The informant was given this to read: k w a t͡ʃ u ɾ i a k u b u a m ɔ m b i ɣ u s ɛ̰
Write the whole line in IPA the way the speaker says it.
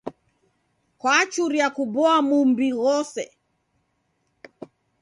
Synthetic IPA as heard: k w a t͡ʃ u ɾ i a k u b ɔ a m u m b i ɣ ɔ s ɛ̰

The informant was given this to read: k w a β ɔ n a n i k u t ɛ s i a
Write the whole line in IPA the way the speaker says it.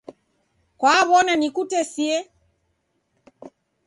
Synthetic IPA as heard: k w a β ɔ n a n i k u t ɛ s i ɛ

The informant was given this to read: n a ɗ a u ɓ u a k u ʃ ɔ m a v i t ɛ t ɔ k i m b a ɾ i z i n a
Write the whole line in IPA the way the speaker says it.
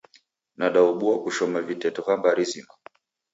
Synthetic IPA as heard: n a ɗ a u ɓ u a k u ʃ ɔ m a v i t ɛ t ɔ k a m b a ɾ i z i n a

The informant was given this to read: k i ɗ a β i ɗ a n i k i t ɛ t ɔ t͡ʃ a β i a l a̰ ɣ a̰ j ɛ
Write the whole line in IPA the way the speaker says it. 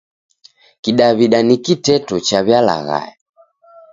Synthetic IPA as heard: k i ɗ a β i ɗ a n i k i t ɛ t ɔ t͡ʃ a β j a l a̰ ɣ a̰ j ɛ

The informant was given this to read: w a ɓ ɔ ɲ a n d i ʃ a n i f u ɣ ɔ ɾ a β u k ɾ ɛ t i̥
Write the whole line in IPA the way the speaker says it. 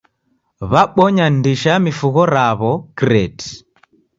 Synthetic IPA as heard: β a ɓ ɔ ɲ a n d i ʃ a m i f u ɣ ɔ ɾ a β ɔ k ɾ ɛ t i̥

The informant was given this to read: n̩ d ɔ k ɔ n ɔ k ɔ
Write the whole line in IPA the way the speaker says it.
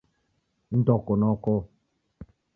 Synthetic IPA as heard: n̩ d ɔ k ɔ n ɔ k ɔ

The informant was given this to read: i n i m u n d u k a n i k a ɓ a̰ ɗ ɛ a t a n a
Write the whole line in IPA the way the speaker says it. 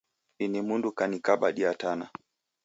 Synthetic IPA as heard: i n i m u n d u k a n i k a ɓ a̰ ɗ i a t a n a

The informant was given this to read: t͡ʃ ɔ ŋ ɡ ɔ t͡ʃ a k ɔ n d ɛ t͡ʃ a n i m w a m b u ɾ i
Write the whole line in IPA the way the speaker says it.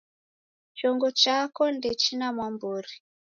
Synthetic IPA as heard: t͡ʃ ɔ ŋ ɡ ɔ t͡ʃ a k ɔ n d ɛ t͡ʃ i n a m w a m b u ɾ i

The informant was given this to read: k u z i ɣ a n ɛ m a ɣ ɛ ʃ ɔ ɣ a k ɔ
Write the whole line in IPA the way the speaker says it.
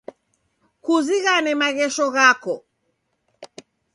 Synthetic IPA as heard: k u z i ɣ a n ɛ m a ɣ ɛ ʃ ɔ ɣ a k ɔ

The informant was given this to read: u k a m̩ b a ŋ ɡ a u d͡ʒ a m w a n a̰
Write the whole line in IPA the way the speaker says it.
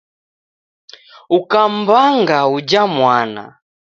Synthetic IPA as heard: u k a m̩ b a ŋ ɡ a u d͡ʒ a m w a n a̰

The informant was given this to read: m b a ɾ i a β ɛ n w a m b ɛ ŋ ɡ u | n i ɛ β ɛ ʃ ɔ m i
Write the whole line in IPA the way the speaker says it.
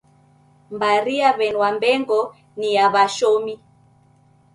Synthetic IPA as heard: m b a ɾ i a β ɛ n w a m b ɛ ŋ ɡ ɔ | n i a β a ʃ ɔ m i

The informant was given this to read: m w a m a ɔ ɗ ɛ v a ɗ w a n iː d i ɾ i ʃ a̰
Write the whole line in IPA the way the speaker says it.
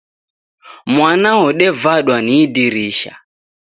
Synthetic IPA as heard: m w a n a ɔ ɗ ɛ v a ɗ w a n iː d i ɾ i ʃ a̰

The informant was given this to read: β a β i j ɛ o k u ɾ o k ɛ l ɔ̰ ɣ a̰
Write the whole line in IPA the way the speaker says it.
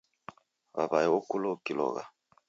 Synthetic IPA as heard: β a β a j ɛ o k u l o k i l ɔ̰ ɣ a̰

